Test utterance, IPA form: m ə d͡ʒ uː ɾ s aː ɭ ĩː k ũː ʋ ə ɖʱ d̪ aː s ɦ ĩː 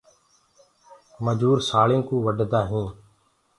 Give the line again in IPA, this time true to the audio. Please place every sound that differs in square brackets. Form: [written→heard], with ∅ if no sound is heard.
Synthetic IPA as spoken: m ə d͡ʒ uː ɾ s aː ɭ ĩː k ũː ʋ ə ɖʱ d̪ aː [s→∅] ɦ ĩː

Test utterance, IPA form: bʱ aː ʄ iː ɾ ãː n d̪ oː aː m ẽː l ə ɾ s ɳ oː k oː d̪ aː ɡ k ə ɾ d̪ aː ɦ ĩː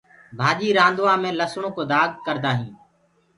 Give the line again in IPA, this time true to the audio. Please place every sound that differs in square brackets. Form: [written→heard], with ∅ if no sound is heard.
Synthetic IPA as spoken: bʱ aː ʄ iː ɾ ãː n d̪ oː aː m ẽː l ə [ɾ→∅] s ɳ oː k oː d̪ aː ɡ k ə ɾ d̪ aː ɦ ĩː

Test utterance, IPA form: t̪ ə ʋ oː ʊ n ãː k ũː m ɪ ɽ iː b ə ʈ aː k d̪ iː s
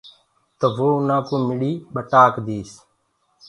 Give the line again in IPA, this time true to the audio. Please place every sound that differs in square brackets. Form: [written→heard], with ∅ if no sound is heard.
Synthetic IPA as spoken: t̪ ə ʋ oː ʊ n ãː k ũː m ɪ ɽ iː [b→ɓ] ə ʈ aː k d̪ iː s

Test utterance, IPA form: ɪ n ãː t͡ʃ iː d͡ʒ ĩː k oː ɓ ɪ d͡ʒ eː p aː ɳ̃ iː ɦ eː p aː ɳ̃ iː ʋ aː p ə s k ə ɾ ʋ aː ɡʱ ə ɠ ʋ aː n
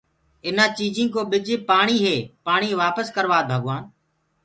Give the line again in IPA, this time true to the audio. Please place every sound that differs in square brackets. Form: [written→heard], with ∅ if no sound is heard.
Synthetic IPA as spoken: ɪ n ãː t͡ʃ iː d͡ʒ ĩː k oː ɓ ɪ d͡ʒ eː p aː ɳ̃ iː ɦ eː p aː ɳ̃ iː ʋ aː p ə s k ə ɾ ʋ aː [ɡʱ→bʱ] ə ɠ ʋ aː n

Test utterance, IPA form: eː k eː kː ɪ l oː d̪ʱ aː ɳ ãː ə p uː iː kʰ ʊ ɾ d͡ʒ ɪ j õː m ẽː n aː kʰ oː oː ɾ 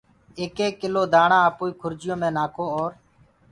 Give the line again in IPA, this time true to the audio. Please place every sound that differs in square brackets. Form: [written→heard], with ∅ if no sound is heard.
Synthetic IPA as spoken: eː k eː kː ɪ l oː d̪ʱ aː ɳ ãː ə p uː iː kʰ ʊ ɾ d͡ʒ ɪ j õː m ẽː n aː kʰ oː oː ɾ

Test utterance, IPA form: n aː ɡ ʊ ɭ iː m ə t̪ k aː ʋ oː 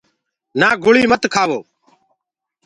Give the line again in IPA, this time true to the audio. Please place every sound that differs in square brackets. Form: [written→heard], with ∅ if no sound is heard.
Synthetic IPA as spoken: n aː ɡ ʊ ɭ iː m ə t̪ [k→kʰ] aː ʋ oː

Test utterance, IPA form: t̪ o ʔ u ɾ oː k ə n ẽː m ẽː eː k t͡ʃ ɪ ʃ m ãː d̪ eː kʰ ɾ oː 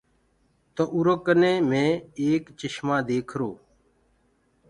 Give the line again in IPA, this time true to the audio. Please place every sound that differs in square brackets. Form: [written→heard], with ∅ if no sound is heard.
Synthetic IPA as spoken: t̪ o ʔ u ɾ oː k ə n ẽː m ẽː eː k t͡ʃ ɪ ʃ m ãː d̪ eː kʰ ɾ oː

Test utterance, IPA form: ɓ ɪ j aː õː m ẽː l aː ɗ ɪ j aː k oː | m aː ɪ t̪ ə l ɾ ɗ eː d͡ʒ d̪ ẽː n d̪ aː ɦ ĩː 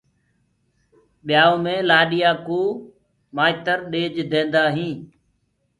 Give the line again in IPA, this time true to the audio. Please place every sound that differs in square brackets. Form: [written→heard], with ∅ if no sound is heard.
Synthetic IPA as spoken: ɓ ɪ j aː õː m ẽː l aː ɗ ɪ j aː k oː | m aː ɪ t̪ ə [l→∅] ɾ ɗ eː d͡ʒ d̪ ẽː n d̪ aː ɦ ĩː

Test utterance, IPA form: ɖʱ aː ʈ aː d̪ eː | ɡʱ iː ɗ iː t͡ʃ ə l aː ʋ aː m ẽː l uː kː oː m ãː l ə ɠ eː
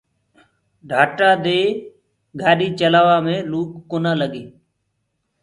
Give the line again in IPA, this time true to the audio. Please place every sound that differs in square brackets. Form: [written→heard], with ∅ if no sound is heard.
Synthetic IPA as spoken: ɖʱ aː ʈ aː d̪ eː | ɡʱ [iː→aː] ɗ iː t͡ʃ ə l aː ʋ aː m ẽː l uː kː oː [m→n] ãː l ə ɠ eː

